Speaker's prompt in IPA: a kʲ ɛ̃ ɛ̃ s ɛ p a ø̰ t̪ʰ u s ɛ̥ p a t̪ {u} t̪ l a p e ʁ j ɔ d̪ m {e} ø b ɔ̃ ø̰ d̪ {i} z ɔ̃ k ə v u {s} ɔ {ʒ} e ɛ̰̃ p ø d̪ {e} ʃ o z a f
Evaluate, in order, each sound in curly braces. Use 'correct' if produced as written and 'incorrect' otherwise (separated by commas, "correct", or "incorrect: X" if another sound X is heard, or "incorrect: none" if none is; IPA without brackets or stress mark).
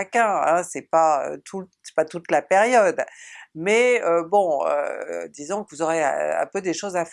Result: correct, incorrect: ɛ, correct, incorrect: z, incorrect: ʁ, correct